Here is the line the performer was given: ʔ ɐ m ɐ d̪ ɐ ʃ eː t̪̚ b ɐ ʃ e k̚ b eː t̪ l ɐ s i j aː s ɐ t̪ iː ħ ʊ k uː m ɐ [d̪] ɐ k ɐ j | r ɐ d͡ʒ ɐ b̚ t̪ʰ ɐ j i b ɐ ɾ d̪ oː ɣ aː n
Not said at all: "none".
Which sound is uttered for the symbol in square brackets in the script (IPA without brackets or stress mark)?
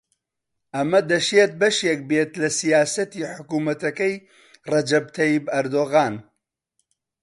t̪